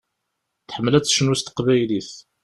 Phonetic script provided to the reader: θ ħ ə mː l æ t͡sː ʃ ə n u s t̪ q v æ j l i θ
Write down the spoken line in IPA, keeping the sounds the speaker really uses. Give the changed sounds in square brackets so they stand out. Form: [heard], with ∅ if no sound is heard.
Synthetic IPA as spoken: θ ħ ə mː l æ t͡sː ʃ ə n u s t̪ q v æ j l i θ